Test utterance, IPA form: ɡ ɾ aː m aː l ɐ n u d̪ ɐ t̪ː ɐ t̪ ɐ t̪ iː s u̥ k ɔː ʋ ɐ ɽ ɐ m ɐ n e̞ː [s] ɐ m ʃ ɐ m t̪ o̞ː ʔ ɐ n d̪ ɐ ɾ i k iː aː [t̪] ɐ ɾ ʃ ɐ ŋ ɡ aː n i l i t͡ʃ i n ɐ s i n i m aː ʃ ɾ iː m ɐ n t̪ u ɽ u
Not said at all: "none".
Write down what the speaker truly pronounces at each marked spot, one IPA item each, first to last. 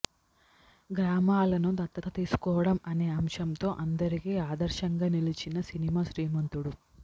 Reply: none, d̪

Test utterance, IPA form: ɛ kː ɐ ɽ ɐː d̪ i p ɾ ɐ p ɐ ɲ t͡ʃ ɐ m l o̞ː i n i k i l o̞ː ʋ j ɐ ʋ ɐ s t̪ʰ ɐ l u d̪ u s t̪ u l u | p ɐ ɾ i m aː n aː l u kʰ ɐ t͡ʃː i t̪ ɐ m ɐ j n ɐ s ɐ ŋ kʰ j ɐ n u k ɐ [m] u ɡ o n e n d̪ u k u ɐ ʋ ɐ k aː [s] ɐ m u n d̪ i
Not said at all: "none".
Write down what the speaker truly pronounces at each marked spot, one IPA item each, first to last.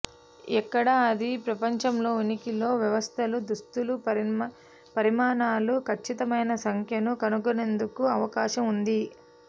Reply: n, ʃ

